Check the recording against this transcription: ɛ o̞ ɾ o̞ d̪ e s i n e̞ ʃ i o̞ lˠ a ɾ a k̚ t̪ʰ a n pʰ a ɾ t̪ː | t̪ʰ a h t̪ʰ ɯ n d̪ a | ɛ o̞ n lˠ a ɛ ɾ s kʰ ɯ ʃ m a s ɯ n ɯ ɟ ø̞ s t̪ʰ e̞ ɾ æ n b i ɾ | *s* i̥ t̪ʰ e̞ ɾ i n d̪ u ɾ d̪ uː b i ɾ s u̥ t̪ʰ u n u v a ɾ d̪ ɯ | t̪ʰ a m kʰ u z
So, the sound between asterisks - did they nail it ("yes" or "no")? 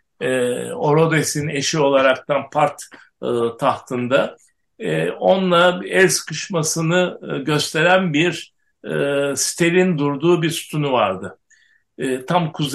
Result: yes